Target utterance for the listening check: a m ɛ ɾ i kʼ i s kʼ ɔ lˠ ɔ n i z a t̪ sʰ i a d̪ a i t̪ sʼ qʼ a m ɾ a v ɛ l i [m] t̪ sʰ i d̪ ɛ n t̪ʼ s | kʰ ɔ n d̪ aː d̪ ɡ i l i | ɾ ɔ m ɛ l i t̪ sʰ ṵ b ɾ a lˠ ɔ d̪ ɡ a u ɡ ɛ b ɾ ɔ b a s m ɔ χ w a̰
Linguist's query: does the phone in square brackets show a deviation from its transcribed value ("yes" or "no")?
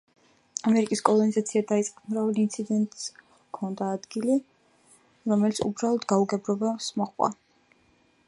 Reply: yes